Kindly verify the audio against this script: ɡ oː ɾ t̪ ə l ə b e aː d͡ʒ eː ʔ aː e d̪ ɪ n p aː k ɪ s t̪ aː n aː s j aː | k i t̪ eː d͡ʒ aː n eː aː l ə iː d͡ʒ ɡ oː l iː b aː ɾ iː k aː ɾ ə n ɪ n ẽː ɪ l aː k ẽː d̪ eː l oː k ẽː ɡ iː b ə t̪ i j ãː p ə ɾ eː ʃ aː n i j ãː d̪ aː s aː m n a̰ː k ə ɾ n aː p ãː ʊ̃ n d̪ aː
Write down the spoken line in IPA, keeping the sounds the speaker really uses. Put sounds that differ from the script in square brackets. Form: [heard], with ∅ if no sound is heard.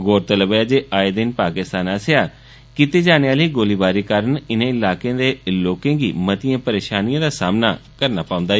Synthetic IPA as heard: ɡ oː ɾ t̪ ə l ə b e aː d͡ʒ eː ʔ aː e d̪ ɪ n p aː k ɪ s t̪ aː n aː s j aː | k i t̪ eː d͡ʒ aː n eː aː l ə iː [∅] ɡ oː l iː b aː ɾ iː k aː ɾ ə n ɪ n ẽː ɪ l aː k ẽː d̪ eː l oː k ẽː ɡ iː [m] ə t̪ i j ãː p ə ɾ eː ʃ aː n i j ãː d̪ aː s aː m n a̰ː k ə ɾ n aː p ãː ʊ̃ n d̪ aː